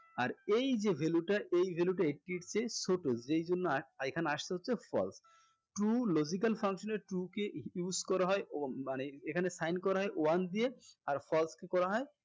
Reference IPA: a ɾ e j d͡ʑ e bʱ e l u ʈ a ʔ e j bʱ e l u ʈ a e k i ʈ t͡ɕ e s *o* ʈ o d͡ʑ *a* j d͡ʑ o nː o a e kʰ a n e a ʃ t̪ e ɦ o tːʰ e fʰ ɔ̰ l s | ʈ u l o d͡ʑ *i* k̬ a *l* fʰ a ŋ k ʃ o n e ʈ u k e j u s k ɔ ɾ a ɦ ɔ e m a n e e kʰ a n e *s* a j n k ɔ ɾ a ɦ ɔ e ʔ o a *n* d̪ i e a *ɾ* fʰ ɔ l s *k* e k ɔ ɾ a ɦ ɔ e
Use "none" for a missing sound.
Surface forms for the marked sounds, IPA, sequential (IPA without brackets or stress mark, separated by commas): o, e, i, l, s, n, ɾ, k